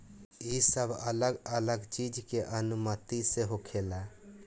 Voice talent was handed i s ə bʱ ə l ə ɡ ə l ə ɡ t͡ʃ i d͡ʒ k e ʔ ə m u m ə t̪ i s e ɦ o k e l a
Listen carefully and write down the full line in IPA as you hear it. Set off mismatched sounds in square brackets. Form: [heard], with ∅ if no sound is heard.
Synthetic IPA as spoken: i s ə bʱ ə l ə ɡ ə l ə ɡ t͡ʃ i d͡ʒ k e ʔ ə [n] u m ə t̪ i s e ɦ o [kʰ] e l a